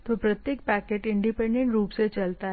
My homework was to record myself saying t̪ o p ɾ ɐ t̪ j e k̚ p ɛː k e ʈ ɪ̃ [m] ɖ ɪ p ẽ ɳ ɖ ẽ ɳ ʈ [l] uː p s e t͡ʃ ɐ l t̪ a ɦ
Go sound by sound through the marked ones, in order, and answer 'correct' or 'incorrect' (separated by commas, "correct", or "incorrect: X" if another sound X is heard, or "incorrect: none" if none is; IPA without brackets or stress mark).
incorrect: ɳ, incorrect: ɾ